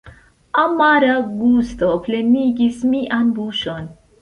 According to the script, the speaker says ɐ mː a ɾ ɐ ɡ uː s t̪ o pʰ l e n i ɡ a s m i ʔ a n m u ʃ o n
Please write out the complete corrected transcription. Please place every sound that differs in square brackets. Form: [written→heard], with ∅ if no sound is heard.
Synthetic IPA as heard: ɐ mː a ɾ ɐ ɡ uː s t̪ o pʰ l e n i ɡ [a→i] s m i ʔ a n [m→b] u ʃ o n